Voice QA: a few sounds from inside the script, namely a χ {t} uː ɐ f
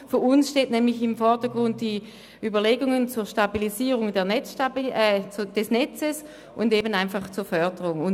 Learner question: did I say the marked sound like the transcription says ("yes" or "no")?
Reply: no